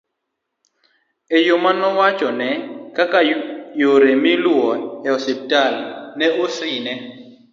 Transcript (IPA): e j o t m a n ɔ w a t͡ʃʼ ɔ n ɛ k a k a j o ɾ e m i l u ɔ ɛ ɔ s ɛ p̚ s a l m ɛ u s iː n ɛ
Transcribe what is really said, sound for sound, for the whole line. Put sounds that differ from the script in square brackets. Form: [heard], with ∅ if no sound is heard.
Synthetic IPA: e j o [∅] m a n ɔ w a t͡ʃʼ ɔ n ɛ k a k a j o ɾ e m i l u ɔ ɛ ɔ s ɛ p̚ [t] a l [n] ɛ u s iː n ɛ